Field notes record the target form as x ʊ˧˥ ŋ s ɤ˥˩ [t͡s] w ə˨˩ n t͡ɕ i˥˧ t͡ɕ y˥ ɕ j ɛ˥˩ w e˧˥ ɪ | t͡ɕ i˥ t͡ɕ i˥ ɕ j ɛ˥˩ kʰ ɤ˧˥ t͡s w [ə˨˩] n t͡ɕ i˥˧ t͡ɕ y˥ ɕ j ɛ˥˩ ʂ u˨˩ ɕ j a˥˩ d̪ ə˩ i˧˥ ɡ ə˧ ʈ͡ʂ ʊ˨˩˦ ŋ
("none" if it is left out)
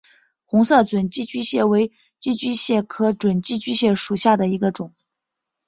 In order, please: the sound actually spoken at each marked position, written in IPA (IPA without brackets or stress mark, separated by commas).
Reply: t͡s, ə˨˩